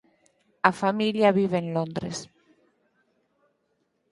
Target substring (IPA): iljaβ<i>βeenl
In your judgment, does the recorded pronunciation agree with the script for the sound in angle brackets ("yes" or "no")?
yes